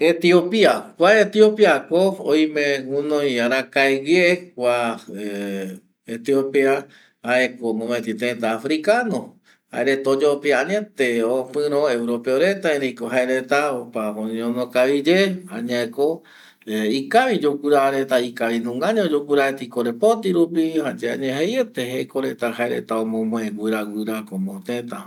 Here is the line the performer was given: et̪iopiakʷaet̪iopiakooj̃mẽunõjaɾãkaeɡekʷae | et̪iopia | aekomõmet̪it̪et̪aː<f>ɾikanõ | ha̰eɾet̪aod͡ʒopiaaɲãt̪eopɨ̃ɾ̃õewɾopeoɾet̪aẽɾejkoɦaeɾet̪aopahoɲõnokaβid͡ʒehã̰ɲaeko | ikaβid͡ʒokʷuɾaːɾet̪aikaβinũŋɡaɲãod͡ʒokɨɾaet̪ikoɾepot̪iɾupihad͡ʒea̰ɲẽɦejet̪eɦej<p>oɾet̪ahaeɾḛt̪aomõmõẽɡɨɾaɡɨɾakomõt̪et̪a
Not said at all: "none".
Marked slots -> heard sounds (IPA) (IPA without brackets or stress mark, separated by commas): f, k